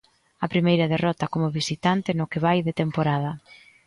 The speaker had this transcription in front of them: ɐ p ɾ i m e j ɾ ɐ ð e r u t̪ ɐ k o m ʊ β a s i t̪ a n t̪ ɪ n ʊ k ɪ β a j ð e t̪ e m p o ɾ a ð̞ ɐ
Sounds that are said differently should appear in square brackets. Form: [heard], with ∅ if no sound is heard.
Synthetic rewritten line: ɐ p ɾ i m e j ɾ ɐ ð e r [ɔ] t̪ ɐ k o m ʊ β [i] s i t̪ a n t̪ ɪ n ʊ k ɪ β a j ð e t̪ e m p o ɾ a ð̞ ɐ